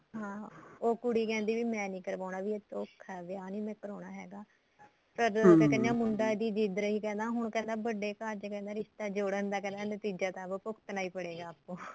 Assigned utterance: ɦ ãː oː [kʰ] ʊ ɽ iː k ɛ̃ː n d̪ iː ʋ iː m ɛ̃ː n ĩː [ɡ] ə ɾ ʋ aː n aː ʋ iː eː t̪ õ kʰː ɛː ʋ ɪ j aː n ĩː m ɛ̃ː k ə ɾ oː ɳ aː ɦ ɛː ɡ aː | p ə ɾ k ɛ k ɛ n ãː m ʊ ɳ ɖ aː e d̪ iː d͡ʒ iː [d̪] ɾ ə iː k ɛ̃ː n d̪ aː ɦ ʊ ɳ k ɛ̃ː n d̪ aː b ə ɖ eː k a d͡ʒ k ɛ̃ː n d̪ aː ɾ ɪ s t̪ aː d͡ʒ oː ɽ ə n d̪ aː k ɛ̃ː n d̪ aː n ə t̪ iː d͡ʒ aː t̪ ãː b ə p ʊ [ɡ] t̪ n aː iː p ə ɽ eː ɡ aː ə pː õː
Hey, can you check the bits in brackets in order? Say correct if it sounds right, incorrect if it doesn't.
incorrect: k, incorrect: k, correct, incorrect: k

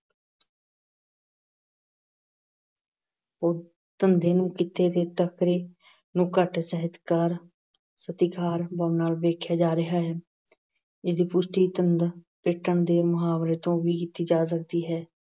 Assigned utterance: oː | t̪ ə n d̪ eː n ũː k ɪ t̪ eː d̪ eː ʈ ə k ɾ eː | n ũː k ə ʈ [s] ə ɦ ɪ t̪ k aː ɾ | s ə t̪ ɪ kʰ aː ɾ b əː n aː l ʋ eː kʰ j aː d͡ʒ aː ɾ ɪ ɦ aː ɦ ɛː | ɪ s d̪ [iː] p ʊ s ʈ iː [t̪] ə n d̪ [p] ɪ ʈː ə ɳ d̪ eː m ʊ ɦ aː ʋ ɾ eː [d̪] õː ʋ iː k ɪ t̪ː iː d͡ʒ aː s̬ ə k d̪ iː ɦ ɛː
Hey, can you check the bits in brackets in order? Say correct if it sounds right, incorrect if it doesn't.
correct, correct, correct, correct, incorrect: t̪

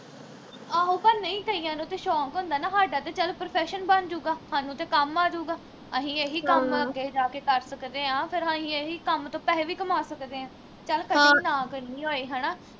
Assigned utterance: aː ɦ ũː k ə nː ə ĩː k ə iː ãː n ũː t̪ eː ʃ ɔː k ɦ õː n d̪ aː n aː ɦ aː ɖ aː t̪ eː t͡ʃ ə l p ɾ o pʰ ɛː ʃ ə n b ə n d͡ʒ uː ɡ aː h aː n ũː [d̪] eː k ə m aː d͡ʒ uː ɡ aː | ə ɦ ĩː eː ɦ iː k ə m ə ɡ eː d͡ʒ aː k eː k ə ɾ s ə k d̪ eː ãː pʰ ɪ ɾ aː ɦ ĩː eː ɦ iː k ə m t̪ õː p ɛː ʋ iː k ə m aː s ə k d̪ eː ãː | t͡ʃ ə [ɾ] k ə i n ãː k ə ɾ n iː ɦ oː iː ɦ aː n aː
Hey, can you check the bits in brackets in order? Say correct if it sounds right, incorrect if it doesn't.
incorrect: t̪, incorrect: l

